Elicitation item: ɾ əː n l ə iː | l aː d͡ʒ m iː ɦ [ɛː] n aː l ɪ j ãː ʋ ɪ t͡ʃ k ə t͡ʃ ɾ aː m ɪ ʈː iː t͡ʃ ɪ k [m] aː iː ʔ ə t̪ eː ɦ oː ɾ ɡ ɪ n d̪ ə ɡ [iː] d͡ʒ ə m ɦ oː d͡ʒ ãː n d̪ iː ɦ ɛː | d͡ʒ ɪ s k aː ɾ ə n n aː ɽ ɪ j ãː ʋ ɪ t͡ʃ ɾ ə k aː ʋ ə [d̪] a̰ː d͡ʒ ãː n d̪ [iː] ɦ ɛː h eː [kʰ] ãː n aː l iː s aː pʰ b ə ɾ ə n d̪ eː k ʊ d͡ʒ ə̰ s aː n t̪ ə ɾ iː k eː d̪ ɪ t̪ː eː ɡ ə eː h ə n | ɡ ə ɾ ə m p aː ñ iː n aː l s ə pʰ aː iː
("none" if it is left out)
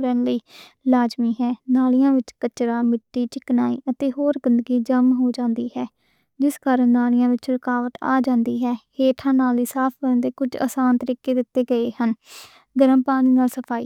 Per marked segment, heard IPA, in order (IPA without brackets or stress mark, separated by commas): ɛː, n, iː, t̪, iː, ʈʰ